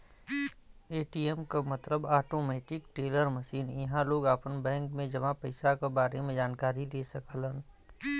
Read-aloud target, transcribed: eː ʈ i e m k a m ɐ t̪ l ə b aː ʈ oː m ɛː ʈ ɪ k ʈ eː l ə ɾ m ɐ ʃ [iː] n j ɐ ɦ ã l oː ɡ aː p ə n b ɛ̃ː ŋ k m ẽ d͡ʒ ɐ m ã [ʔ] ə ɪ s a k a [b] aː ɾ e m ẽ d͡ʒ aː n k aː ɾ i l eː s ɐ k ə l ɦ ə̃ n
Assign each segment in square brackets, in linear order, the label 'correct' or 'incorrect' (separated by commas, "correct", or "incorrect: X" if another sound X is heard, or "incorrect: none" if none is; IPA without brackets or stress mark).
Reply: correct, incorrect: p, correct